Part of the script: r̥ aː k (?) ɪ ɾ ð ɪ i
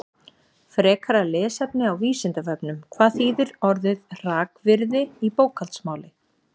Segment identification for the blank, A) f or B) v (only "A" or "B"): B